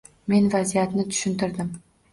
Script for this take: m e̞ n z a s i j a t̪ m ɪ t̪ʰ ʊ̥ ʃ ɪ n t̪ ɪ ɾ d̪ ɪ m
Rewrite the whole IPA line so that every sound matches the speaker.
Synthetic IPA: m e̞ n v a z i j a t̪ n ɪ t̪ʰ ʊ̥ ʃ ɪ n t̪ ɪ ɾ d̪ ɪ m